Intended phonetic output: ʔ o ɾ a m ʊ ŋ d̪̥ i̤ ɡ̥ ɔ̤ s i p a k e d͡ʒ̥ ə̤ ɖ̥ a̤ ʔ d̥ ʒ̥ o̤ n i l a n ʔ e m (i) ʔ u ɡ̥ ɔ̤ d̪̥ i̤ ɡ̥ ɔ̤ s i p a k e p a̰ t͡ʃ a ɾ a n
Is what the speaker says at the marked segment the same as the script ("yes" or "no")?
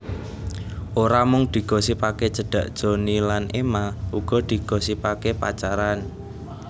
no